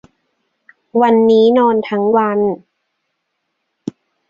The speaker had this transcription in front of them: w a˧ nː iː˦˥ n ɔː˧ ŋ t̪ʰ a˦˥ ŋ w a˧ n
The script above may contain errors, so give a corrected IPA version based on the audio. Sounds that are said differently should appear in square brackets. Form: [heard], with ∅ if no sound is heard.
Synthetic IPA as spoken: w a˧ nː iː˦˥ n ɔː˧ [n] t̪ʰ a˦˥ ŋ w a˧ n